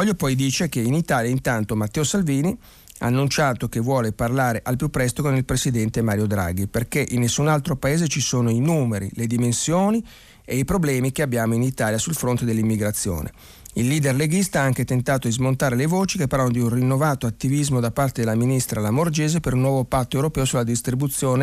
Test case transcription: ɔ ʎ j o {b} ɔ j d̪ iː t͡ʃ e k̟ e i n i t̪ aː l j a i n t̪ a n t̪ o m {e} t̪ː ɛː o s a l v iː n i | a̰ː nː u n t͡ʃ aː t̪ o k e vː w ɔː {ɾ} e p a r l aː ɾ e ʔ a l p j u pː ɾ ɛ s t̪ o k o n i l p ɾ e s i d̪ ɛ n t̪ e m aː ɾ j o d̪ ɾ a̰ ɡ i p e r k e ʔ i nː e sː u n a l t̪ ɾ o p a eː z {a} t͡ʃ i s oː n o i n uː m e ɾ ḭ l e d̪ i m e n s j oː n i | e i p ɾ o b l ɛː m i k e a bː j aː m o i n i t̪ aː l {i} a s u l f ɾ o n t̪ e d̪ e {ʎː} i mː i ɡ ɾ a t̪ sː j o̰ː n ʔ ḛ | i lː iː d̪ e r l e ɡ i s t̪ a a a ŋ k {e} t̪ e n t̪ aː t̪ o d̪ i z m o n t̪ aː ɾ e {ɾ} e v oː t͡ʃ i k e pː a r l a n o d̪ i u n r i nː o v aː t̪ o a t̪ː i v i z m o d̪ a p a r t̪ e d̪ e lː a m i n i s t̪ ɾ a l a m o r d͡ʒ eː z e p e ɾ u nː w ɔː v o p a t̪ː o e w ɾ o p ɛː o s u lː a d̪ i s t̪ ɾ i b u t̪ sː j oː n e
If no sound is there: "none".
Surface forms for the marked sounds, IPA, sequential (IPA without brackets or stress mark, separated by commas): p, a, l, e, j, lː, e, l